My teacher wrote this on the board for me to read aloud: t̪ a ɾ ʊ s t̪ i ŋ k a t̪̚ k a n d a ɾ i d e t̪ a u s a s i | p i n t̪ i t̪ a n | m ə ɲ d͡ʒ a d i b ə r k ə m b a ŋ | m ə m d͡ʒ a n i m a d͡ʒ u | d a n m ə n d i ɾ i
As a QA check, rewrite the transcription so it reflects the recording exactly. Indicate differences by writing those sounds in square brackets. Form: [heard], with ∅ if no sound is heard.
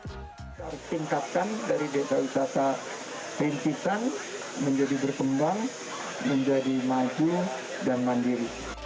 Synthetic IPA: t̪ a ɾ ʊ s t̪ i ŋ k a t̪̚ k a n d a ɾ i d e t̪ a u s a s [a] | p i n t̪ i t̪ a n | m ə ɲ d͡ʒ a d i b ə r k ə m b a ŋ | m ə [ɲ] d͡ʒ a [d] i m a d͡ʒ u | d a n m [a] n d i ɾ i